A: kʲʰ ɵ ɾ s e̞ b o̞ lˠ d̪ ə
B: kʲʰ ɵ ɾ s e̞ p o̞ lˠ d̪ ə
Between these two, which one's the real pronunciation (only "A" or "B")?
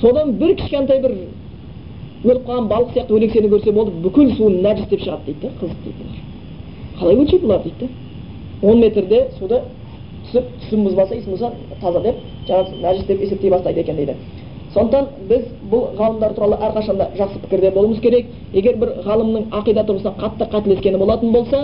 A